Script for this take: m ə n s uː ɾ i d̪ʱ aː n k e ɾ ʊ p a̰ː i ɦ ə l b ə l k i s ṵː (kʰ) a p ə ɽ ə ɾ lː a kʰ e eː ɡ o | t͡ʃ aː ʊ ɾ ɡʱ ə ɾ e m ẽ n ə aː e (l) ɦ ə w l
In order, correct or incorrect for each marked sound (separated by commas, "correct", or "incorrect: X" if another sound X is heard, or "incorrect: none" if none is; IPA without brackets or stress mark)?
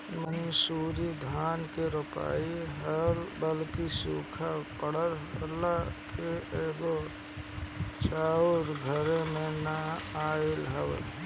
correct, correct